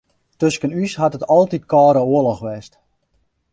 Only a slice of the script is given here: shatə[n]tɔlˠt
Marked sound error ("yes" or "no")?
yes